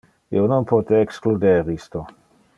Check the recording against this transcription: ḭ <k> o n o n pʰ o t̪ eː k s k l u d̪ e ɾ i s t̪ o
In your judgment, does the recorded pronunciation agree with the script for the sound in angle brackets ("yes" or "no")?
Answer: no